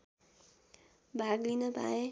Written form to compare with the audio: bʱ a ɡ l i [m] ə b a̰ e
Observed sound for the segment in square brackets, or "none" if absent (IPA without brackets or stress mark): n